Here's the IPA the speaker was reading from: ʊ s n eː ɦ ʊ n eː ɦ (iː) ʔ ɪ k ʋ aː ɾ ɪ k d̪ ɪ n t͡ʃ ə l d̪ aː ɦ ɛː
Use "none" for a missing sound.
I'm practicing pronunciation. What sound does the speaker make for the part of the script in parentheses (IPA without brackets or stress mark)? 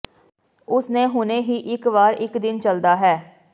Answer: iː